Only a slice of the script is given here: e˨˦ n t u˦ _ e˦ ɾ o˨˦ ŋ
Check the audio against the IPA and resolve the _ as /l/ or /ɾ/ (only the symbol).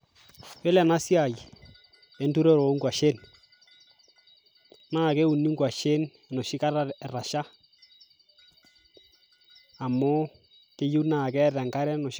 ɾ